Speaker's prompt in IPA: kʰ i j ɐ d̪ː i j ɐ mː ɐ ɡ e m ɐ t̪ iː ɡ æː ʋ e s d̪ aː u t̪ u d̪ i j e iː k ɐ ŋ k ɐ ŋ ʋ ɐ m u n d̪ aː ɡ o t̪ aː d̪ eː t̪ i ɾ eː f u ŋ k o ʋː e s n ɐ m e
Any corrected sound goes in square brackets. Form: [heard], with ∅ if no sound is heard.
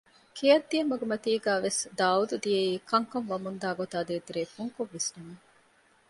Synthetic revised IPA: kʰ i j ɐ d̪ː i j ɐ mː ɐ ɡ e m ɐ t̪ iː ɡ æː ʋ e s d̪ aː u [d̪] u d̪ i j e iː k ɐ ŋ k ɐ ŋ ʋ ɐ m u n d̪ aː ɡ o t̪ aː d̪ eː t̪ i ɾ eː f u ŋ k o ʋː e s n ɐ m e